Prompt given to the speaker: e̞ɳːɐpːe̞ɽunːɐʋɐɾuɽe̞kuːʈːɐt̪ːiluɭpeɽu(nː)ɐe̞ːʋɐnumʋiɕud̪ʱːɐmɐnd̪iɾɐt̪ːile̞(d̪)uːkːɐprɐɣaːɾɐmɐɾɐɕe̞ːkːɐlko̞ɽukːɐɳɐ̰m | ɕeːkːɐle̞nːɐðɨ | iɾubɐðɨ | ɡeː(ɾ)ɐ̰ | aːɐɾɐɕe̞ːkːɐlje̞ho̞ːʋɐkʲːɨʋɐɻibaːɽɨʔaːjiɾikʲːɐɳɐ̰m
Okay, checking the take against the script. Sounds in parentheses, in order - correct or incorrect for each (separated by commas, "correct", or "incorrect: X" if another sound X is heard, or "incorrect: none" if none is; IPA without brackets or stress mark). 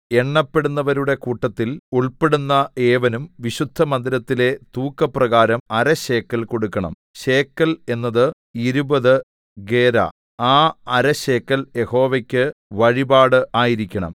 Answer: correct, incorrect: t̪, correct